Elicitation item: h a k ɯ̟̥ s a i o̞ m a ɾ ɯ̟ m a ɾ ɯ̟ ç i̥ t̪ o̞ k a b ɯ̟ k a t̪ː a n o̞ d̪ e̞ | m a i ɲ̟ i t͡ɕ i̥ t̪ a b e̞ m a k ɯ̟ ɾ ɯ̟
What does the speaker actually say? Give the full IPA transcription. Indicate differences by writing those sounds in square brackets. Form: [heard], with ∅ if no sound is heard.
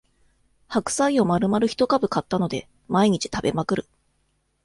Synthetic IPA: h a k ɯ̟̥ s a i o̞ m a ɾ ɯ̟ m a ɾ ɯ̟ ç i̥ t̪ o̞ k a b ɯ̟ k a t̪ː a n o̞ d̪ e̞ | m a i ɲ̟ i t͡ɕ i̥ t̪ a b e̞ m a k ɯ̟ ɾ ɯ̟

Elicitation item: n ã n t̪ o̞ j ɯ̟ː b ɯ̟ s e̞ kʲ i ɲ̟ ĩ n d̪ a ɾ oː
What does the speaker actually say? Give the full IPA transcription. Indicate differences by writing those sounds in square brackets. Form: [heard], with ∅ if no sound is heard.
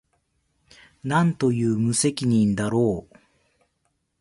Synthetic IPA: n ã n t̪ o̞ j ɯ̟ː [m] ɯ̟ s e̞ kʲ i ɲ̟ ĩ n d̪ a ɾ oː

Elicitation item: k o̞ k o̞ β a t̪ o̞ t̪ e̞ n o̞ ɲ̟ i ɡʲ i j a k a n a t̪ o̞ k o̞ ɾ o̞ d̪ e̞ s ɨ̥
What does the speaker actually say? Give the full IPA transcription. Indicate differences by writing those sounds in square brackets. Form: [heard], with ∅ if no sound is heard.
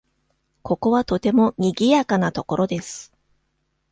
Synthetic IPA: k o̞ k o̞ β a t̪ o̞ t̪ e̞ [m] o̞ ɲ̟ i ɡʲ i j a k a n a t̪ o̞ k o̞ ɾ o̞ d̪ e̞ s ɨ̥

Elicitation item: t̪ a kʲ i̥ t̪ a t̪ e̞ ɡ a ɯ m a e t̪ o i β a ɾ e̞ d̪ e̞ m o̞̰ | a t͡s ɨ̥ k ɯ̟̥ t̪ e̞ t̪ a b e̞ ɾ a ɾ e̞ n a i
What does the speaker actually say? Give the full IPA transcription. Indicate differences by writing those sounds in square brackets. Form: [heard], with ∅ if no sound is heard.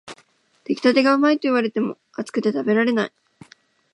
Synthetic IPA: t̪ [e] kʲ i̥ t̪ a t̪ e̞ ɡ a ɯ m a [i] t̪ o i β a ɾ e̞ [t̪] e̞ m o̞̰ | a t͡s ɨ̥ k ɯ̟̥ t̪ e̞ t̪ a b e̞ ɾ a ɾ e̞ n a i

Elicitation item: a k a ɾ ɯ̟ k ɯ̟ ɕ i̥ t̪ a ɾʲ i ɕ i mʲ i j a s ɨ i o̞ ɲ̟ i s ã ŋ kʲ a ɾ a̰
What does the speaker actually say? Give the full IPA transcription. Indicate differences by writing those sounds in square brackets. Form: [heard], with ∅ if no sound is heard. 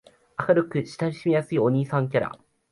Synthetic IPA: a k a ɾ ɯ̟ k ɯ̟ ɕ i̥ t̪ a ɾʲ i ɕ i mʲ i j a s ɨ i o̞ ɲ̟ [iː] s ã ŋ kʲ a ɾ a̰

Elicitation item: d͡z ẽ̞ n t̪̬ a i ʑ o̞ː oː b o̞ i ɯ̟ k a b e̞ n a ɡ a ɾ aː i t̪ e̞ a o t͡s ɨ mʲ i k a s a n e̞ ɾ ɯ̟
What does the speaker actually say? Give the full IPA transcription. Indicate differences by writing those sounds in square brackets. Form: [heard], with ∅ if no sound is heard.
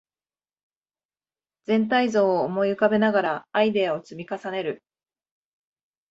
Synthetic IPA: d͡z ẽ̞ n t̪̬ a i [z] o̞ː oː [m] o̞ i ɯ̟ k a b e̞ n a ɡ a ɾ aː i [d̪] e̞ a o t͡s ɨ mʲ i k a s a n e̞ ɾ ɯ̟

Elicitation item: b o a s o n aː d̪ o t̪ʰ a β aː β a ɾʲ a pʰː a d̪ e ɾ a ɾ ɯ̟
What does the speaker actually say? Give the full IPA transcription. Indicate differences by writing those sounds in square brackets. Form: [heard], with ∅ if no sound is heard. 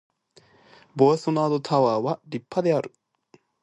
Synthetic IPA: b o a s o n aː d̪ o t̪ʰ a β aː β a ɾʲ [i] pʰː a d̪ e [∅] a ɾ ɯ̟

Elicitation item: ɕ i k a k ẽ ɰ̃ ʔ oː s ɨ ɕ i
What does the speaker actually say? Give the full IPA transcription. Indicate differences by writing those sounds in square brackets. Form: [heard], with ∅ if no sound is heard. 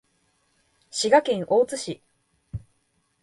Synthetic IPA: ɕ i [ɡ] a k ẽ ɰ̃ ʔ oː [t͡s] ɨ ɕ i

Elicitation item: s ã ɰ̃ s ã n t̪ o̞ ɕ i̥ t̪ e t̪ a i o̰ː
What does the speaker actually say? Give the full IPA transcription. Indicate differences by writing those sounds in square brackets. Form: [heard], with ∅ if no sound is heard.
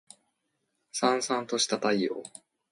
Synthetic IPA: s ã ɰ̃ s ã n t̪ o̞ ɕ i̥ t̪ [a] t̪ a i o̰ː

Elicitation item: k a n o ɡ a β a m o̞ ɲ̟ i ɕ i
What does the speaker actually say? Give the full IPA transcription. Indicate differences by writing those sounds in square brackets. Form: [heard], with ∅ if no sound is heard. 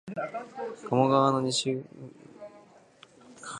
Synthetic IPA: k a [m] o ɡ a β a [n] o̞ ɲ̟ i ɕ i

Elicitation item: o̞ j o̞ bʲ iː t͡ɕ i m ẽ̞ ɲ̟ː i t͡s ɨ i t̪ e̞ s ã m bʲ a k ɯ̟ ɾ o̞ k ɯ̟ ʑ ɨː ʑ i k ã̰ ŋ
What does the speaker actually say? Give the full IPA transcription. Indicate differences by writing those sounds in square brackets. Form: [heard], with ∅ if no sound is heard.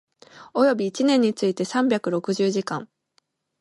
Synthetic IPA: o̞ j o̞ bʲ iː t͡ɕ i [n] ẽ̞ ɲ̟ː i t͡s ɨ i t̪ e̞ s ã m bʲ a k ɯ̟ ɾ o̞ k ɯ̟ ʑ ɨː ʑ i k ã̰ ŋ

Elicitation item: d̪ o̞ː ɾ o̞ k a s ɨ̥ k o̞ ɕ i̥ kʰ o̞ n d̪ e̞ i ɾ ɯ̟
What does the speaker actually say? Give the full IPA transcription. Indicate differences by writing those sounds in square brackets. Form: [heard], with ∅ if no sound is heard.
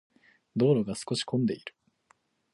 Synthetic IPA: d̪ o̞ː ɾ o̞ [ɡ] a s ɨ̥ k o̞ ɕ i̥ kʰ [õ̞] n d̪ e̞ i ɾ ɯ̟

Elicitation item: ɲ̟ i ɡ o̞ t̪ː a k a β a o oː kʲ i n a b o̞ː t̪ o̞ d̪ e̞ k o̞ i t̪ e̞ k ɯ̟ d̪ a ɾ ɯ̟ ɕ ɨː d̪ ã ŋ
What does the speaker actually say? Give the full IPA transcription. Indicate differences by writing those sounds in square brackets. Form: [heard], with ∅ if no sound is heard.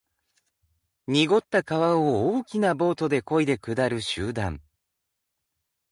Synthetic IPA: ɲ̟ i ɡ o̞ t̪ː a k a β a o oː kʲ i n a b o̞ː t̪ o̞ d̪ e̞ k o̞ i [d̪] e̞ k ɯ̟ d̪ a ɾ ɯ̟ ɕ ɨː d̪ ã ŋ

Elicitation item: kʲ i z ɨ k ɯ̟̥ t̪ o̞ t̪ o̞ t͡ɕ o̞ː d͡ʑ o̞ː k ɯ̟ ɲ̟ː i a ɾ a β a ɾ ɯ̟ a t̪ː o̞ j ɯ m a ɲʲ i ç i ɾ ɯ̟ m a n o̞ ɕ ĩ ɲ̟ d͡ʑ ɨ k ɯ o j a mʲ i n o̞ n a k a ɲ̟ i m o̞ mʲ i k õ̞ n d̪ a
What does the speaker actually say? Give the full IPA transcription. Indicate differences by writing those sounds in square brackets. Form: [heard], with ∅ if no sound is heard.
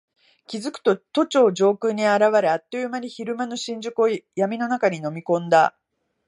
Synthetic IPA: kʲ i z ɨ k ɯ̟̥ t̪ o̞ t̪ o̞ t͡ɕ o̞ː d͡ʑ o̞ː k ɯ̟ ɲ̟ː i a ɾ a β a ɾ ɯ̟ a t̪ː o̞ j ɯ m a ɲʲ i ç i ɾ ɯ̟ m a n o̞ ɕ ĩ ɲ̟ d͡ʑ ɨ k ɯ o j a mʲ i n o̞ n a k a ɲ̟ i [n] o̞ mʲ i k õ̞ n d̪ a

